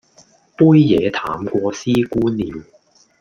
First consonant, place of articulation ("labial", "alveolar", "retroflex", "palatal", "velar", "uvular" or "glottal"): labial